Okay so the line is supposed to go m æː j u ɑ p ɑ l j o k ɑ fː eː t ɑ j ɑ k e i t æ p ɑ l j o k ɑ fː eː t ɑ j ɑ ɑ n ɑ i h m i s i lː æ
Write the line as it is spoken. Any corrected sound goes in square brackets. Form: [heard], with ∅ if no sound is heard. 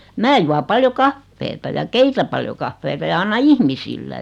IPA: m æː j u ɑ p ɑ l j o k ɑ fː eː t ɑ j ɑ k e i t æ p ɑ l j o k ɑ fː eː t ɑ j ɑ ɑ [nː] ɑ i h m i s i lː æ